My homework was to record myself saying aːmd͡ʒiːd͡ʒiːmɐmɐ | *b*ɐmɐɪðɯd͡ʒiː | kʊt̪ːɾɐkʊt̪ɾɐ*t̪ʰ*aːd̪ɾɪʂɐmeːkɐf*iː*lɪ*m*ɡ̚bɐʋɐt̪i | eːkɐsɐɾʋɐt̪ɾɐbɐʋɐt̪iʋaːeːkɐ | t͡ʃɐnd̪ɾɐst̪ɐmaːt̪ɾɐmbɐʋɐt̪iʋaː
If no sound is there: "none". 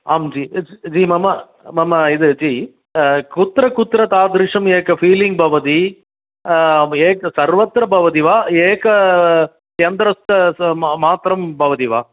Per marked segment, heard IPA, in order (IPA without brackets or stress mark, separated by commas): m, t̪, iː, ŋ